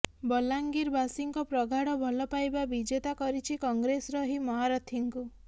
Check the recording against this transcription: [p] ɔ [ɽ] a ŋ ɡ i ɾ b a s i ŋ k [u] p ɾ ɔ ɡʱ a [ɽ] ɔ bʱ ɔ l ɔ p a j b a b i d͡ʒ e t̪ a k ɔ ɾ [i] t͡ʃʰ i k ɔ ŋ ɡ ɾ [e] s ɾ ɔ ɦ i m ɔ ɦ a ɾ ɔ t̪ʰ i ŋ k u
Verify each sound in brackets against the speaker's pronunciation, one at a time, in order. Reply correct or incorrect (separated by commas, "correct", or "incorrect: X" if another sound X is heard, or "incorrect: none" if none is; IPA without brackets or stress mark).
incorrect: b, incorrect: l, incorrect: ɔ, correct, correct, correct